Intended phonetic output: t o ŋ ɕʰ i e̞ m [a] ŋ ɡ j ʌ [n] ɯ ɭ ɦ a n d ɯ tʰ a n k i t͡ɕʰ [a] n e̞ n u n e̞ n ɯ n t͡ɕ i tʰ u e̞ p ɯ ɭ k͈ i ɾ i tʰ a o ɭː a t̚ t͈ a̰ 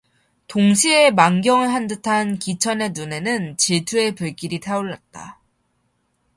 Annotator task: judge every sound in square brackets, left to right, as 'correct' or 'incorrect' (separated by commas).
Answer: correct, incorrect, incorrect